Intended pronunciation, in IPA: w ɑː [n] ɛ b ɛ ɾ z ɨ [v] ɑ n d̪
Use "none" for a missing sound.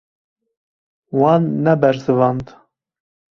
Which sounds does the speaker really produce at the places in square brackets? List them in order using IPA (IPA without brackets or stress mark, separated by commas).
nː, v